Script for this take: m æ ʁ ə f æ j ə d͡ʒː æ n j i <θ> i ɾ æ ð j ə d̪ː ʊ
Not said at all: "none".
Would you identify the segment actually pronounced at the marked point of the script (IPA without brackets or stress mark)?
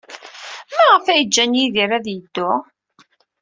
ð